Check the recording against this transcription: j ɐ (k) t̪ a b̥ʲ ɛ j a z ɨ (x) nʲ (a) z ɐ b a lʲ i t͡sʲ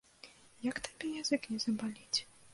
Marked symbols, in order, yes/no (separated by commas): yes, no, no